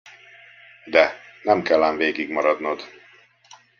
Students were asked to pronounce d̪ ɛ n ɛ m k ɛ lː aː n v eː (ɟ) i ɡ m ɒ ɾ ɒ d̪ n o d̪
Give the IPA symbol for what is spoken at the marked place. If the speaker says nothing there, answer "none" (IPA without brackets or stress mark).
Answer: ɡ